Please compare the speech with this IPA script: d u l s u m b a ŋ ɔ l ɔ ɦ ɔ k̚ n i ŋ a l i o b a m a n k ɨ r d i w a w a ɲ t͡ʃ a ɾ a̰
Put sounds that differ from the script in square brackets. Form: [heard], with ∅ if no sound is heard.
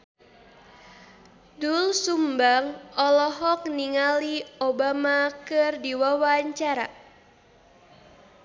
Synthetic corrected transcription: d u l s u m b a ŋ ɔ l ɔ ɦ ɔ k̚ n i ŋ a l i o b a m a [∅] k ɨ r d i w a w a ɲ t͡ʃ a ɾ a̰